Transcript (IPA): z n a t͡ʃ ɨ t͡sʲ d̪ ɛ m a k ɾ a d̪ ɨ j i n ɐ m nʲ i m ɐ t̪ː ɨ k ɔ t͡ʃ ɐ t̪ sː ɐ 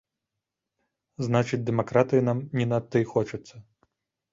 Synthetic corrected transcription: z n a t͡ʃ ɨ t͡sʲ d̪ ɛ m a k ɾ a t̪ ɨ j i n a m nʲ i n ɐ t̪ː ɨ x ɔ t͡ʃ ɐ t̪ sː ɐ